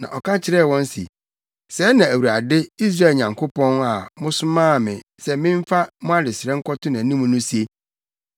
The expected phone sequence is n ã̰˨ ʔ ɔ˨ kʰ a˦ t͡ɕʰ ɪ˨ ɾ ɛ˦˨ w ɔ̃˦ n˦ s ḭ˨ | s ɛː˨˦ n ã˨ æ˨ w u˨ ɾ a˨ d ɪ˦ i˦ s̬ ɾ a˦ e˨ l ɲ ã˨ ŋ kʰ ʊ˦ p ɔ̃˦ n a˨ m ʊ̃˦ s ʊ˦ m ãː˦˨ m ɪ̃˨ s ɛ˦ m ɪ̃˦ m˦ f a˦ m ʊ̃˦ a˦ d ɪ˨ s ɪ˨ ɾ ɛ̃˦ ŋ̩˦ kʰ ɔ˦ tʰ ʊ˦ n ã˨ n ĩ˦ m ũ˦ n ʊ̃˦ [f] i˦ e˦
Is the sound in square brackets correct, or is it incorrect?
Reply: incorrect